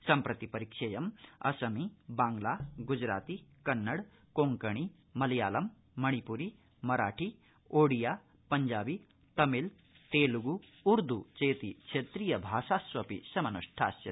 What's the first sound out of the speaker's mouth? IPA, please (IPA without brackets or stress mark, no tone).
s